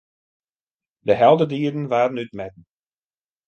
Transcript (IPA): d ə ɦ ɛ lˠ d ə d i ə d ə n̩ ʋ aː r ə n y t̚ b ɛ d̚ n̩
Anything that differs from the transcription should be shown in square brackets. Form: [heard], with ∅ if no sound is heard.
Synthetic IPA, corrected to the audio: d ə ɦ ɛ lˠ d ə d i ə d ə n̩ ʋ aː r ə n y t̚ [m] ɛ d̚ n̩